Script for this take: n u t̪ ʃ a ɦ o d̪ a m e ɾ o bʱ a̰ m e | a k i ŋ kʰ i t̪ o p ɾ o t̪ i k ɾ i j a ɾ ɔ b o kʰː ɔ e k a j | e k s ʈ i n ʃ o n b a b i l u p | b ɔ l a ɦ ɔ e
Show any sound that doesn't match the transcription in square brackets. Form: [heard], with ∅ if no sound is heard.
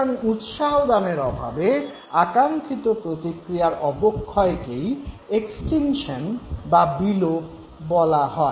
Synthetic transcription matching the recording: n u t̪ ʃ a ɦ o d̪ a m e ɾ [ɔ] bʱ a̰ [b] e | a k [a] ŋ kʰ i t̪ o p ɾ o t̪ i k ɾ i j a ɾ ɔ b o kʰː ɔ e k [e] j | e k s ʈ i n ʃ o n b a b i l [o] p | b ɔ l a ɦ ɔ e